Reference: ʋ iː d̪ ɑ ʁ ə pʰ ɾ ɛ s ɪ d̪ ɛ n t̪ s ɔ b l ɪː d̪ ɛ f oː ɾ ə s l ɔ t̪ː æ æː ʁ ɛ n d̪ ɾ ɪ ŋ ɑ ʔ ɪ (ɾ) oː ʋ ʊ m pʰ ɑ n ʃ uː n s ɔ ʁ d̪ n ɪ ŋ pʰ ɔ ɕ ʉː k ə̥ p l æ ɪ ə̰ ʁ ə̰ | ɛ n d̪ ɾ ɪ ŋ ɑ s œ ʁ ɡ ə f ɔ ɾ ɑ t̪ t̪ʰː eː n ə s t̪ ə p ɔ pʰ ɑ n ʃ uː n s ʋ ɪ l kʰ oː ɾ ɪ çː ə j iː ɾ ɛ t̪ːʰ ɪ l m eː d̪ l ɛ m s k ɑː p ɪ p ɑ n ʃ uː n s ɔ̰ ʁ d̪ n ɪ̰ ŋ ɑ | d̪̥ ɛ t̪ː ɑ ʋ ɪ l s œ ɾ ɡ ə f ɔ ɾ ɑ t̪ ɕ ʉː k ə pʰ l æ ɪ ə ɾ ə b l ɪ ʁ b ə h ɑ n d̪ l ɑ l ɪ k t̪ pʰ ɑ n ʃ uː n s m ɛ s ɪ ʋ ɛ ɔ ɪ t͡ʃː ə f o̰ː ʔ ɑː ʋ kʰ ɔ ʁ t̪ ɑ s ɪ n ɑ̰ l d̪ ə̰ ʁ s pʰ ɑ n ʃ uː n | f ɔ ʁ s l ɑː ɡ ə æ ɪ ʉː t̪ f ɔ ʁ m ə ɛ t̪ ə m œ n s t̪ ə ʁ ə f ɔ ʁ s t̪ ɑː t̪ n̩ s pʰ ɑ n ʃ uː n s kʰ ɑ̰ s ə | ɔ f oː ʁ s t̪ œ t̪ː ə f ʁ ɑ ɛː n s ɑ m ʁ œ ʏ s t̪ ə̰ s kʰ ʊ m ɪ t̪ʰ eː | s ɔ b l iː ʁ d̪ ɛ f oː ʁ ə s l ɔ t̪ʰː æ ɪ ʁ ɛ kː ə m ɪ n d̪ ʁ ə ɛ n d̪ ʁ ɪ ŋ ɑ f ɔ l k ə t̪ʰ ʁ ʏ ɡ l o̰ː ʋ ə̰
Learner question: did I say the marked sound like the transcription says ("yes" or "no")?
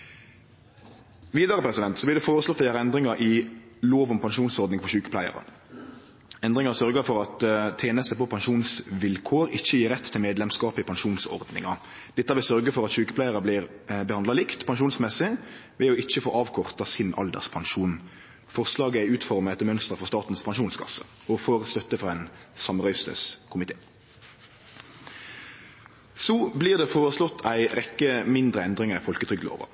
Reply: no